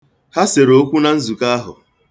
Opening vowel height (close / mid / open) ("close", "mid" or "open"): open